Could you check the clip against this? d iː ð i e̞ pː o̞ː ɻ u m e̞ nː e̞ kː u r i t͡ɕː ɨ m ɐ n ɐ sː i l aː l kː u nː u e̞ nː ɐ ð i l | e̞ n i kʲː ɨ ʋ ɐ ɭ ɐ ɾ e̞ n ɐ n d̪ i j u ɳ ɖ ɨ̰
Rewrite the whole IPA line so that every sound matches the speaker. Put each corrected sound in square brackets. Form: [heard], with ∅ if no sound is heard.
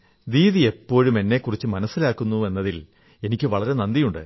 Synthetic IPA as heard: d iː ð i e̞ pː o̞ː ɻ u m e̞ nː e̞ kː u r i t͡ɕː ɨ m ɐ n ɐ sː i l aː [∅] kː u nː u e̞ nː ɐ ð i l | e̞ n i kʲː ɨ ʋ ɐ ɭ ɐ ɾ e̞ n ɐ n d̪ i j u ɳ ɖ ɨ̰